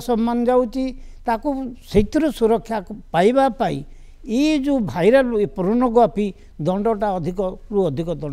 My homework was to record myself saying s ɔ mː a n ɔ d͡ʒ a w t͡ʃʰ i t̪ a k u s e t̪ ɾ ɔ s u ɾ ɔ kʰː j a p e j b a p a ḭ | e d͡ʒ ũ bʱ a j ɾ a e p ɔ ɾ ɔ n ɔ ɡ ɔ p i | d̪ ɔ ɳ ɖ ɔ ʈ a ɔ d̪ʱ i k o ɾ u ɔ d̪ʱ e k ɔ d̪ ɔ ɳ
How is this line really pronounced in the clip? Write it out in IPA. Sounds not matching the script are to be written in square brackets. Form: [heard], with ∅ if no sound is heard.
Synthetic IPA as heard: s ɔ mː a n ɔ d͡ʒ a w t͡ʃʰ i t̪ a k u s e t̪ ɾ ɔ s u ɾ ɔ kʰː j a p [a] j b a p a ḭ | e d͡ʒ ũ bʱ a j ɾ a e p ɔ ɾ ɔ n ɔ ɡ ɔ p i | d̪ ɔ ɳ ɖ ɔ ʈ a ɔ d̪ʱ i k [ɔ] ɾ u ɔ d̪ʱ [i] k ɔ d̪ ɔ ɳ